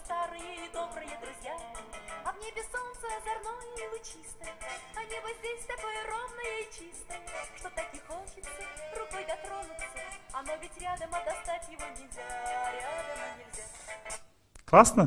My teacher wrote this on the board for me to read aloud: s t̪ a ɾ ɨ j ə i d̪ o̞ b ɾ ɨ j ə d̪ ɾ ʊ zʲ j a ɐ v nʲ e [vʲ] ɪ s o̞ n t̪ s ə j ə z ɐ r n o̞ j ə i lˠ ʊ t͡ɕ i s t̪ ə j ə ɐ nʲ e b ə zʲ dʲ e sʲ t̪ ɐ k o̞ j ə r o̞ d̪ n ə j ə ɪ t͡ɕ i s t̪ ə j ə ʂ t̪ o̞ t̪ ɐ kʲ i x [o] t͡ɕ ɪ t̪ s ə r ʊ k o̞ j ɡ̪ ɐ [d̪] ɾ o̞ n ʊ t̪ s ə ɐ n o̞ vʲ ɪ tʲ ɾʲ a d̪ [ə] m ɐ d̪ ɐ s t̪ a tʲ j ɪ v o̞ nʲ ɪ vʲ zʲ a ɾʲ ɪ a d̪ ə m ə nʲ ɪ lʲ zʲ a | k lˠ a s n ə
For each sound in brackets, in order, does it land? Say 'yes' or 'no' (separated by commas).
no, yes, no, yes